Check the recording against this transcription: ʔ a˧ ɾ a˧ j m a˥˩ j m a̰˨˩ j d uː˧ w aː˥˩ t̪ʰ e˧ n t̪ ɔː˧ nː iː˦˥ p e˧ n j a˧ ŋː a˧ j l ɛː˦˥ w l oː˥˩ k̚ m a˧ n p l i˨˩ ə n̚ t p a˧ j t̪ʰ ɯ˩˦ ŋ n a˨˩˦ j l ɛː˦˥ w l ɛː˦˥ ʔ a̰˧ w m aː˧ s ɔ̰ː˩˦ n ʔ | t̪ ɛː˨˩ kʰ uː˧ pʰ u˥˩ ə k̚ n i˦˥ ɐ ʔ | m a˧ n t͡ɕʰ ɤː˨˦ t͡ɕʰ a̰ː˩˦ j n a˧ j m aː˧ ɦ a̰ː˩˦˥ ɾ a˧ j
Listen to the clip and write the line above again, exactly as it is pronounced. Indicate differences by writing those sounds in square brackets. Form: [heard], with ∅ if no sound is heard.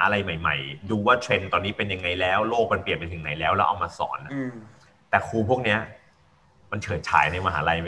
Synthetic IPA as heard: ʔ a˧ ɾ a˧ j m [a˨˩] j m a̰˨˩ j d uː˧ w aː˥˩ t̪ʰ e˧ n t̪ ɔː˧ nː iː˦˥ p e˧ n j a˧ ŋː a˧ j l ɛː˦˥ w l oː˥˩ k̚ m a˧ n p l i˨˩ ə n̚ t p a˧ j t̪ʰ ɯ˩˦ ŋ n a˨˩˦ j l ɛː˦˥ w l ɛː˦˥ ʔ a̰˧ w m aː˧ s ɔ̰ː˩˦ n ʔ | t̪ ɛː˨˩ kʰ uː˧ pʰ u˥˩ ə k̚ n i˦˥ ɐ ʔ | m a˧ n t͡ɕʰ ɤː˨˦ t͡ɕʰ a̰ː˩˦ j n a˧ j m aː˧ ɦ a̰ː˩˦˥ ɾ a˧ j